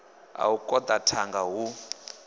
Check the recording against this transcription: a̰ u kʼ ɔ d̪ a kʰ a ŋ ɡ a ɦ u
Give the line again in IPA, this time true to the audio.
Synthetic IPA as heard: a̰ u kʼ ɔ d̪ a tʰ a ŋ ɡ a ɦ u